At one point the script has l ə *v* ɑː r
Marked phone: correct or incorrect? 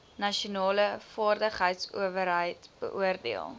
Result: incorrect